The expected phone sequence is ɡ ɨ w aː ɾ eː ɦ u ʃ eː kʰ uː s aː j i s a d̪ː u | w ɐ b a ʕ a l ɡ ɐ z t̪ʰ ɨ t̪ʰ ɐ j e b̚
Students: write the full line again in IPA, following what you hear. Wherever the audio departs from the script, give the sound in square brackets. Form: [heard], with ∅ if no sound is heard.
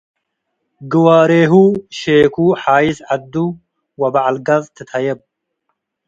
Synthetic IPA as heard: ɡ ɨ w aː ɾ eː ɦ u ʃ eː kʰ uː [ħ] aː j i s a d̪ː u | w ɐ b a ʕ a l ɡ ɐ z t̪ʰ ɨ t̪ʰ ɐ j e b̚